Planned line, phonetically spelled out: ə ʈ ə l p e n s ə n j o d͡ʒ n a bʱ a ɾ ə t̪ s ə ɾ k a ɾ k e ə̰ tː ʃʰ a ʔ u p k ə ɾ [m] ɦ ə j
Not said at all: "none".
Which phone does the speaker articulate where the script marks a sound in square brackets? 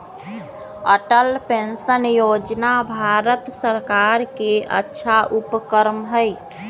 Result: m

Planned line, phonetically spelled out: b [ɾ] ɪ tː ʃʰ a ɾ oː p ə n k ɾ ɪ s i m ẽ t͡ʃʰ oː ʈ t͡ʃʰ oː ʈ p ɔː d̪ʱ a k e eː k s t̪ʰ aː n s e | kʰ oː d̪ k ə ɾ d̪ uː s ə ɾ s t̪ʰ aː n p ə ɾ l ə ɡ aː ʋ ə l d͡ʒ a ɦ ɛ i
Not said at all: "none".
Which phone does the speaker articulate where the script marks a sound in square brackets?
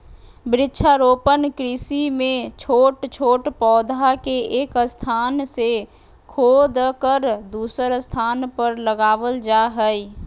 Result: ɾ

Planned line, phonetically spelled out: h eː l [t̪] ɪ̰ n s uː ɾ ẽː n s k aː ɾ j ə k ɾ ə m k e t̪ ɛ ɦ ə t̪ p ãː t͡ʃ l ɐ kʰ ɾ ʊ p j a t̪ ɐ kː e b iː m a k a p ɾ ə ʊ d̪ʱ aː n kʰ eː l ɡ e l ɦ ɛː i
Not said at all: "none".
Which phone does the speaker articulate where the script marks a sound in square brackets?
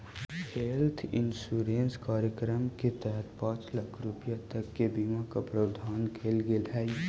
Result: t̪ʰ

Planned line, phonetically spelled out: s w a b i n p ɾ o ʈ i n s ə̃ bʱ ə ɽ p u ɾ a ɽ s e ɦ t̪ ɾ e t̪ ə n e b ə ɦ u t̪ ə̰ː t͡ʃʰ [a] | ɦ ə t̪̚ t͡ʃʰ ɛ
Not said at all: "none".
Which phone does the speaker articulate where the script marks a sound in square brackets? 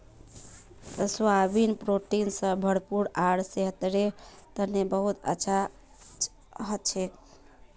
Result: a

